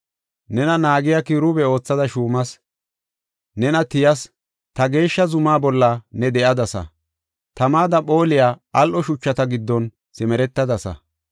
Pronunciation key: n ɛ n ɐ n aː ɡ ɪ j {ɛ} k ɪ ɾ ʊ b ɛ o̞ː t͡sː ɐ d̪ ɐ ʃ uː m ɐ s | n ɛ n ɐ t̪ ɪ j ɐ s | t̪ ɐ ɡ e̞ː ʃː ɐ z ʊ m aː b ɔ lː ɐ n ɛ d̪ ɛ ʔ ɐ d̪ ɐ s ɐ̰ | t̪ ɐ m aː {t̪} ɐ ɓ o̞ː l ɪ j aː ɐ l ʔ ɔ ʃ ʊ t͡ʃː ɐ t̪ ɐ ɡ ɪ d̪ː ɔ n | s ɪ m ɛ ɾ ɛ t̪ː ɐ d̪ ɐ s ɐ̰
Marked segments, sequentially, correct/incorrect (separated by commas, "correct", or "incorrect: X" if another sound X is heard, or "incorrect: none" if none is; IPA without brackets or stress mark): incorrect: a, incorrect: d̪